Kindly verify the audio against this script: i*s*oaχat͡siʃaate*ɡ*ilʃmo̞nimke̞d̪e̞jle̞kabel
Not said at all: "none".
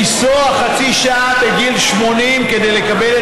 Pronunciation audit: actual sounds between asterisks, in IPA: s, ɡ

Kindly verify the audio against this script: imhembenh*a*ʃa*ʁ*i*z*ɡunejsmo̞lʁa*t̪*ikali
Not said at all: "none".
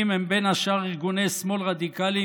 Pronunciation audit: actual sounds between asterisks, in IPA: a, ʁ, ʁ, d̪

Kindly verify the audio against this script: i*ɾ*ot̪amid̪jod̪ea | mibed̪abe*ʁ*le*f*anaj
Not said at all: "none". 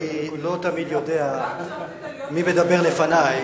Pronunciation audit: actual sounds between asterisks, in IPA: l, ʁ, f

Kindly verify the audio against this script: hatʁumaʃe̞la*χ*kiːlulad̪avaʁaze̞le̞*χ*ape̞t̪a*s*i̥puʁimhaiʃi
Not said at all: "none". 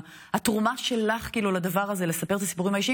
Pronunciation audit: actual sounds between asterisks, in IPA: χ, s, s

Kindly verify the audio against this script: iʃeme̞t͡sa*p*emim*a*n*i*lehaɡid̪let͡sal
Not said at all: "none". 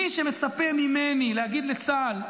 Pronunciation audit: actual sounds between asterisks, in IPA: p, e, i

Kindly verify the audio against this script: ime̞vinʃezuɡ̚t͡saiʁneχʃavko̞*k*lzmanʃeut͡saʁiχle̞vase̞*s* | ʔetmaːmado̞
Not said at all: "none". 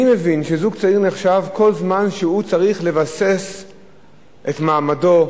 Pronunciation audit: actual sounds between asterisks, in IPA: none, s

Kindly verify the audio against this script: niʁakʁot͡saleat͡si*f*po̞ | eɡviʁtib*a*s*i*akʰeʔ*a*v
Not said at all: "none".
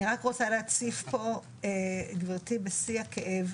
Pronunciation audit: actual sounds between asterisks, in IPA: f, e, i, e

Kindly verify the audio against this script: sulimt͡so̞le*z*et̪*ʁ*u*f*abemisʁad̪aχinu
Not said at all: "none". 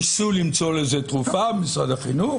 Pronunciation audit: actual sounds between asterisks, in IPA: z, ʁ, f

